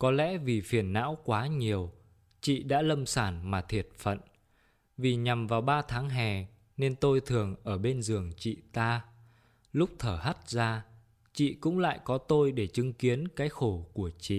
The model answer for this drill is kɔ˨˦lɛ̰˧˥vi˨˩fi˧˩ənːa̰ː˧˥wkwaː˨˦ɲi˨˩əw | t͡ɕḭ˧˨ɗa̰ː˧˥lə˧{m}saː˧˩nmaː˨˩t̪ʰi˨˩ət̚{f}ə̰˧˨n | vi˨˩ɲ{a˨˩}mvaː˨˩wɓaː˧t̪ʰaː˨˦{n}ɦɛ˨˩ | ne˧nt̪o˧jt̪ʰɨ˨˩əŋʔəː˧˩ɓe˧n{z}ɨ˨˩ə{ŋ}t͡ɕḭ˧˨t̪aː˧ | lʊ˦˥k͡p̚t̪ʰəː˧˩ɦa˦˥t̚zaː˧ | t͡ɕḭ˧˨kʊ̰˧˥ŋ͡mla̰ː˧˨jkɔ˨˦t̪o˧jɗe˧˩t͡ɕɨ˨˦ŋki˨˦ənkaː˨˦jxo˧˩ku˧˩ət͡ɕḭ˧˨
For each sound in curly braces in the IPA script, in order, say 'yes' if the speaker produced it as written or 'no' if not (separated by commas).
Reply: yes, yes, yes, no, yes, yes